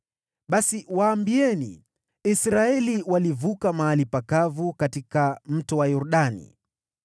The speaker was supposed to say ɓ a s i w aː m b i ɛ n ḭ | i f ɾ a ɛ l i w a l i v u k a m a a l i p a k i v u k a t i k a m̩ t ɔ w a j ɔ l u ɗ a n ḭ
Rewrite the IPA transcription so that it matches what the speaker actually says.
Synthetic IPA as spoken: ɓ a s i w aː m b i ɛ n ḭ | i s ɾ a ɛ l i w a l i v u k a m a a l i p a k a v u k a t i k a m̩ t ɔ w a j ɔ ɾ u ɗ a n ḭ

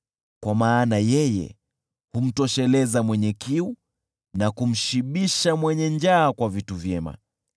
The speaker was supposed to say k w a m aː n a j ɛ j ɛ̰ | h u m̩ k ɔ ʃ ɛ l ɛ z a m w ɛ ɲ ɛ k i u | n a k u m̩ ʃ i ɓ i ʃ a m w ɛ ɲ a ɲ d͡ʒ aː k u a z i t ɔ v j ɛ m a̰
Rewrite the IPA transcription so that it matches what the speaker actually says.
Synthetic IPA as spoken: k w a m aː n a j ɛ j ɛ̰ | h u m̩ t ɔ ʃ ɛ l ɛ z a m w ɛ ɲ ɛ k i u | n a k u m̩ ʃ i ɓ i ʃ a m w ɛ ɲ ɛ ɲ d͡ʒ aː k w a v i t u v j ɛ m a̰

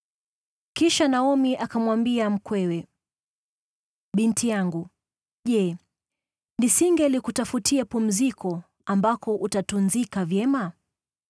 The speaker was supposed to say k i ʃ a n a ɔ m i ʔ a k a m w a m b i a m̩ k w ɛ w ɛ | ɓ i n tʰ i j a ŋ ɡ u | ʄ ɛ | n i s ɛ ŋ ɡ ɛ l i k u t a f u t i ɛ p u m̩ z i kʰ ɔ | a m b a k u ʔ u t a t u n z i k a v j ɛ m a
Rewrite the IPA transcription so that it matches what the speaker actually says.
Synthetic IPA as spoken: k i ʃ a n a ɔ m i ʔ a k a m w a m b i a m̩ k w ɛ w ɛ | ɓ i n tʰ i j a ŋ ɡ u | ʄ ɛ | n i s i ŋ ɡ ɛ l i k u t a f u t i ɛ p u m̩ z i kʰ ɔ | a m b a k ɔ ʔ u t a t u n z i k a v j ɛ m a

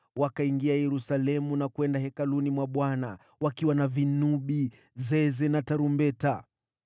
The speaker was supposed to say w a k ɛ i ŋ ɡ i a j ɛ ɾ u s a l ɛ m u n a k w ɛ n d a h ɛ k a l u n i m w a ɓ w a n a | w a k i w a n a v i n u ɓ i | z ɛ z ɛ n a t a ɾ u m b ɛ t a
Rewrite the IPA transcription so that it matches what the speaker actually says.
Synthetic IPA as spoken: w a k a i ŋ ɡ i a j ɛ ɾ u s a l ɛ m u n a k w ɛ n d a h ɛ k a l u n i m w a ɓ w a n a | w a k i w a n a v i n u ɓ i | z ɛ z ɛ n a t a ɾ u m b ɛ t a

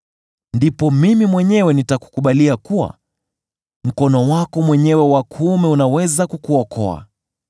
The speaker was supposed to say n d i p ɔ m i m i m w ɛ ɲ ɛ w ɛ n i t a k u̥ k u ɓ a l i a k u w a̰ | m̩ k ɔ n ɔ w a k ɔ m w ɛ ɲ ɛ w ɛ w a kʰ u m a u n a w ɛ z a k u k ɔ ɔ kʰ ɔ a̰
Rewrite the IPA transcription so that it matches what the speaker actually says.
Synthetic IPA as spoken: n d i p ɔ m i m i m w ɛ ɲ ɛ w ɛ n i t a k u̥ k u ɓ a l i a k u w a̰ | m̩ k ɔ n ɔ w a k ɔ m w ɛ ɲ ɛ w ɛ w a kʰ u m ɛ u n a w ɛ z a k u k u ɔ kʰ ɔ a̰

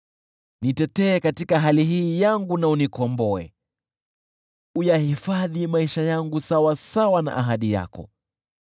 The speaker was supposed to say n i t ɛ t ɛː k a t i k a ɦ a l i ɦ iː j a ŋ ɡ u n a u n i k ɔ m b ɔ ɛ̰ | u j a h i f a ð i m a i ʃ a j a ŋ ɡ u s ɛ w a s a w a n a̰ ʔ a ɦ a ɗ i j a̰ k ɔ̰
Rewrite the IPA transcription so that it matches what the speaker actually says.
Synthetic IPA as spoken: n i t ɛ t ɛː k a t i k a ɦ a l i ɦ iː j a ŋ ɡ u n a u n i k ɔ m b ɔ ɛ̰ | u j a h i f a ð i m a i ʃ a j a ŋ ɡ u s a w a s a w a n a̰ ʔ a ɦ a ɗ i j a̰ k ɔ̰

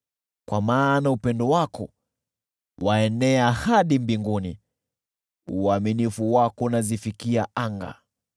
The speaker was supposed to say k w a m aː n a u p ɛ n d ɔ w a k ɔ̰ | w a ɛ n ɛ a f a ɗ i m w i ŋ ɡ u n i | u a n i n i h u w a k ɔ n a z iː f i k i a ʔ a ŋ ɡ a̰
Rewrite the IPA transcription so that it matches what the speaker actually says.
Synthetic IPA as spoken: k w a m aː n a u p ɛ n d ɔ w a k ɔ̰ | w a ɛ n ɛ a h a ɗ i m b i ŋ ɡ u n i | u a m i n i f u w a k ɔ n a z i f i k i a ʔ a ŋ ɡ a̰

